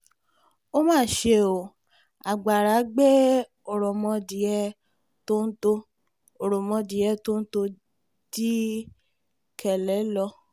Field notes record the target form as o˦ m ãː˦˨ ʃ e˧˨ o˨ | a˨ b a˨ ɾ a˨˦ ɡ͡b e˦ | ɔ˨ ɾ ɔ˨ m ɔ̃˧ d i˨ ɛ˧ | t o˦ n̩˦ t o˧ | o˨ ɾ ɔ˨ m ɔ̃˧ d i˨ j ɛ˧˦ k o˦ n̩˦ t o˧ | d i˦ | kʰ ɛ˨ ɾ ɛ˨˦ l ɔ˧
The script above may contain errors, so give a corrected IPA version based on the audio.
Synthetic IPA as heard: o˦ m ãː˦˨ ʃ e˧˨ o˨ | a˨ ɡ͡b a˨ ɾ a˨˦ ɡ͡b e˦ | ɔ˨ ɾ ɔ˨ m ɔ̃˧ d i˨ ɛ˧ | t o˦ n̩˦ t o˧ | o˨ ɾ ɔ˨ m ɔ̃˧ d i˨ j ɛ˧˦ t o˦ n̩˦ t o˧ | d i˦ | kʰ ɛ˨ l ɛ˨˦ l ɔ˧